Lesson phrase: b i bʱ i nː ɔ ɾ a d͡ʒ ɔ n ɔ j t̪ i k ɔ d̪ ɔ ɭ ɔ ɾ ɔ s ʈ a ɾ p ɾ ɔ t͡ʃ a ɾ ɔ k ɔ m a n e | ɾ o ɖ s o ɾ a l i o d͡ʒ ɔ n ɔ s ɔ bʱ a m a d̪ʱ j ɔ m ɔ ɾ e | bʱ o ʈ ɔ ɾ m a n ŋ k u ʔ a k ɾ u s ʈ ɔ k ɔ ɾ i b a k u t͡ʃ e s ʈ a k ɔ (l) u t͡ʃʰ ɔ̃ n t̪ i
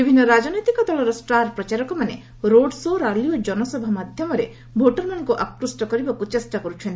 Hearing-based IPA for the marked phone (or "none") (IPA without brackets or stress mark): ɾ